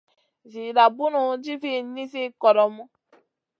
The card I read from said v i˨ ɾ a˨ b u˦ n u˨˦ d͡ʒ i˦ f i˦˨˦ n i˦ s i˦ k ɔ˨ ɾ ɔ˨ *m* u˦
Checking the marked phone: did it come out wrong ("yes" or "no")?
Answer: no